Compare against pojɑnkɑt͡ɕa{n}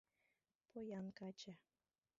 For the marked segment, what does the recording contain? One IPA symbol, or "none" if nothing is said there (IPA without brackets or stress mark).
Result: none